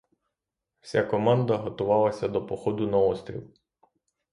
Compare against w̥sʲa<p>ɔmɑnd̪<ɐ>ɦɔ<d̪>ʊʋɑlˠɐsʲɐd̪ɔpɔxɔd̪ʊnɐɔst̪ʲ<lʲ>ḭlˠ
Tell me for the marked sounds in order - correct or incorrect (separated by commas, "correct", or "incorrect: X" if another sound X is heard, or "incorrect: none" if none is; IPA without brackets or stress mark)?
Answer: incorrect: k, correct, incorrect: t̪, incorrect: ɾʲ